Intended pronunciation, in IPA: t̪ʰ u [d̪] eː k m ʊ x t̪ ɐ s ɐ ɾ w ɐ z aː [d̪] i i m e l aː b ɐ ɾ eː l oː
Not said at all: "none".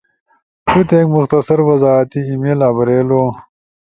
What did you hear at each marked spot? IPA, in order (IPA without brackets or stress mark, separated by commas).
t̪, t̪